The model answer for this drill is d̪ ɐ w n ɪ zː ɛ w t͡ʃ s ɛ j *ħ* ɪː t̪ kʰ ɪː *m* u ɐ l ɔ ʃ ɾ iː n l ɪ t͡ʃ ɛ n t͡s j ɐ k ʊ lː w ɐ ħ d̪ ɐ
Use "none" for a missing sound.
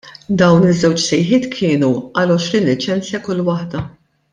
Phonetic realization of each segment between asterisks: ħ, n

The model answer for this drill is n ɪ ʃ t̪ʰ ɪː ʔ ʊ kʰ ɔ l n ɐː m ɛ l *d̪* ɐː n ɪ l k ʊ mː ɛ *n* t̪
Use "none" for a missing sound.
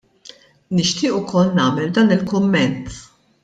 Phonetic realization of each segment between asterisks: d̪, n

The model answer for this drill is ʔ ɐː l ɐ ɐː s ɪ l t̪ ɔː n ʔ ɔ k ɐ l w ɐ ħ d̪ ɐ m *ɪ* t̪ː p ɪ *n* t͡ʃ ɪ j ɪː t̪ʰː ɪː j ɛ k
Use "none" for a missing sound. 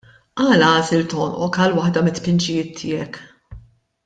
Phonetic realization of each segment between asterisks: ɪ, n

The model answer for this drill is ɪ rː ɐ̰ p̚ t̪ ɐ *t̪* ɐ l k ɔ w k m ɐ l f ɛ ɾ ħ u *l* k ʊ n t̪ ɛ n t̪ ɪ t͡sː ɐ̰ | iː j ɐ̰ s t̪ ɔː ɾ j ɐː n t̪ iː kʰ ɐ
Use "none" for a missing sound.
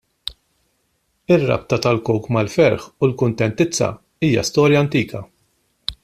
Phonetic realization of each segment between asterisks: t̪, l

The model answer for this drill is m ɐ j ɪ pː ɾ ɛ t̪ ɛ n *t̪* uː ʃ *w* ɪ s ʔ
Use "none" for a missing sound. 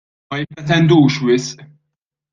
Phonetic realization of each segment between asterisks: d̪, w

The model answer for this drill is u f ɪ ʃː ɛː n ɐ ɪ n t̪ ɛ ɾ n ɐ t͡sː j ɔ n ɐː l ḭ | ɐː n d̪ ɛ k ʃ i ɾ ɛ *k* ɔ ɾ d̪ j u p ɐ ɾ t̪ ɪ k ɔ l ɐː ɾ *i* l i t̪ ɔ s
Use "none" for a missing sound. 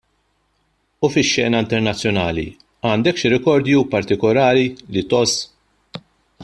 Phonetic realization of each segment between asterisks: k, i

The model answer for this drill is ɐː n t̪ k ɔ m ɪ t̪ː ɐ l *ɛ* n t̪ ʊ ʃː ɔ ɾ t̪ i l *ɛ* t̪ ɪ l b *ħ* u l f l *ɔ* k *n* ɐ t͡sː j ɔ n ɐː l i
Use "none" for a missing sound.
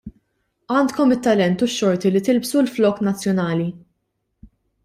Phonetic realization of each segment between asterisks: ɛ, i, s, ɔː, n

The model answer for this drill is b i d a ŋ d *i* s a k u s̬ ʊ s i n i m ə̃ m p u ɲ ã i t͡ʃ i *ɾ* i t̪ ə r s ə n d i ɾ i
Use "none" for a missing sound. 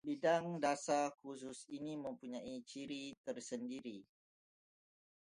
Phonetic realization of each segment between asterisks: a, ɾ

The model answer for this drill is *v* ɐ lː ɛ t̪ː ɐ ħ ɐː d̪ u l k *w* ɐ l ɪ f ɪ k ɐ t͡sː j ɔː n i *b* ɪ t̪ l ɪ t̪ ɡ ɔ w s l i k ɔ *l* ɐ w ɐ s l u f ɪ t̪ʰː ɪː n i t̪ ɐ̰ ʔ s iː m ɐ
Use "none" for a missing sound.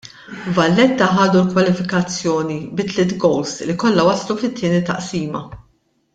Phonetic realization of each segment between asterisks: v, w, b, lː

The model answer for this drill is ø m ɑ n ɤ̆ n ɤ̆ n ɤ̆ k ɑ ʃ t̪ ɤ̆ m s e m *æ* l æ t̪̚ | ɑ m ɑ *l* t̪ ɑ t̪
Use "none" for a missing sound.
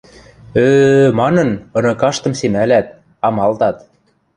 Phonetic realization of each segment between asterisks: æ, l

